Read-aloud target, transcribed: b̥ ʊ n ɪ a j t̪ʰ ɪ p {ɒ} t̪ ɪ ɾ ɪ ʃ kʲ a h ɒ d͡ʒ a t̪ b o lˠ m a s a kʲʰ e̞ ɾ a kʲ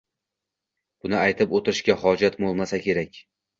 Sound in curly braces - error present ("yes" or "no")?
yes